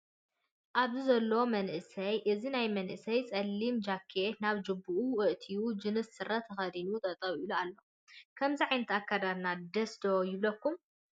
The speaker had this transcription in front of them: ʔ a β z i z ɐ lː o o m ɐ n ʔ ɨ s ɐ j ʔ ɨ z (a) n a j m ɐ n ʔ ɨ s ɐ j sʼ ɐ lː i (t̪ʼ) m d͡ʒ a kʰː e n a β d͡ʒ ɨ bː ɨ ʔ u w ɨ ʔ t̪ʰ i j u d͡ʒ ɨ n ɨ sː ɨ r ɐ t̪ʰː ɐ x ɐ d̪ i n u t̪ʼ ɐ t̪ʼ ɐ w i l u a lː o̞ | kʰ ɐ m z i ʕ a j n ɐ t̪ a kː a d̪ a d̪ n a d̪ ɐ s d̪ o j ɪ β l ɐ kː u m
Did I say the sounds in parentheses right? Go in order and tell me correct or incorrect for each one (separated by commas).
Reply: incorrect, incorrect